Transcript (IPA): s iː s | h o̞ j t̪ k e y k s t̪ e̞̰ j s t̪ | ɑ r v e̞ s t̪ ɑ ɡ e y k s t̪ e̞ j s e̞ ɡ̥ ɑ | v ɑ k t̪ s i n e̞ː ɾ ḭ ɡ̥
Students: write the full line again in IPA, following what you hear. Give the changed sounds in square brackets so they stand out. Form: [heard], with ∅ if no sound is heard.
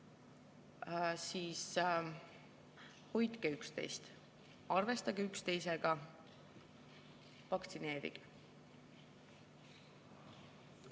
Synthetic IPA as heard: s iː s | h o̞ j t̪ k e y k s t̪ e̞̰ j s t̪ | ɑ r v e̞ s t̪ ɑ ɡ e y k s t̪ e̞ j s e̞ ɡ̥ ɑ | v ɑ k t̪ s i n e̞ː ɾ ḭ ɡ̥